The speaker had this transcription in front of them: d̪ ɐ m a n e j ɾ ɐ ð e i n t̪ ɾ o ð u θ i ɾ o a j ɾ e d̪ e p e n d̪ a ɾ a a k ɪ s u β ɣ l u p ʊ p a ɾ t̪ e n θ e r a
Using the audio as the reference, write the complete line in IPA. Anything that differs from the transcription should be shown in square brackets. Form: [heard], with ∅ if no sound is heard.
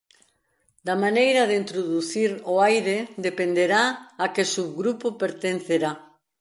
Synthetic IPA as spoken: d̪ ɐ m a n e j ɾ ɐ ð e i n t̪ ɾ o ð u θ i ɾ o a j ɾ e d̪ e p e n d̪ [e] ɾ a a k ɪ s u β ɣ [ɾ] u p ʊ p [e] ɾ t̪ e n θ e [ɾ] a